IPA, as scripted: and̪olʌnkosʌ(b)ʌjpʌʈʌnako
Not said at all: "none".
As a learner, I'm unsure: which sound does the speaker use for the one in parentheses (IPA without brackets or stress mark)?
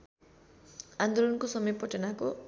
m